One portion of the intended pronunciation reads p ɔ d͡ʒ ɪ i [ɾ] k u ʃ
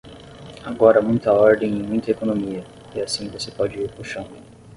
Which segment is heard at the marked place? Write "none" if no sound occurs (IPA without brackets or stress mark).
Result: ɾ